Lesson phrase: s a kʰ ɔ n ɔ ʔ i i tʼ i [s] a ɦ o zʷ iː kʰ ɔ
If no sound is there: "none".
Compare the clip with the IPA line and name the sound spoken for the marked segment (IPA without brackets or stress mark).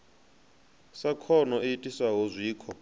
s